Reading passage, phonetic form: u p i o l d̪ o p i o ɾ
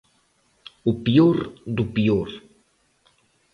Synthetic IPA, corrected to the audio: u p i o ɾ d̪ u p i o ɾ